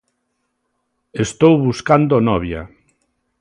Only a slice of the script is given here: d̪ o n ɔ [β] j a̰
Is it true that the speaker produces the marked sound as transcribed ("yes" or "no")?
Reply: yes